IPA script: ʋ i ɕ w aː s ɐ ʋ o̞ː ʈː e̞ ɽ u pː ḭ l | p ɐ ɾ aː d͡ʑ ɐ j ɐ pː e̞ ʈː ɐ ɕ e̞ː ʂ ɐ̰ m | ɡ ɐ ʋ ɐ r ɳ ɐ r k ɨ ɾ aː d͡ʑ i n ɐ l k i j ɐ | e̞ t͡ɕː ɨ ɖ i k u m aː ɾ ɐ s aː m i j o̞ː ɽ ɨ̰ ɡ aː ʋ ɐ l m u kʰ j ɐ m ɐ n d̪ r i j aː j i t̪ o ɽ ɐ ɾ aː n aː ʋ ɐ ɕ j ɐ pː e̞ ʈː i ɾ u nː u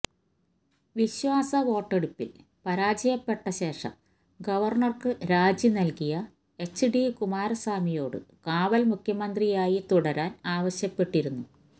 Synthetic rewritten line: ʋ i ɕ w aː s ɐ ʋ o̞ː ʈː e̞ ɽ u pː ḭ l | p ɐ ɾ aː d͡ʑ ɐ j ɐ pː e̞ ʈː ɐ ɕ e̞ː ʂ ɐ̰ m | ɡ ɐ ʋ ɐ r ɳ ɐ r k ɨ ɾ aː d͡ʑ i n ɐ l k i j ɐ | e̞ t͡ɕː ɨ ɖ i k u m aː ɾ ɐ s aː m i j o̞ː ɽ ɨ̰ k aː ʋ ɐ l m u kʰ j ɐ m ɐ n d̪ r i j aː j i t̪ u ɽ ɐ ɾ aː n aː ʋ ɐ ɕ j ɐ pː e̞ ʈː i ɾ u nː u